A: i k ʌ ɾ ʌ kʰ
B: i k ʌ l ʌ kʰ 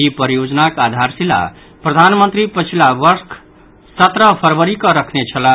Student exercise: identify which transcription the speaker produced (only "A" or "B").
A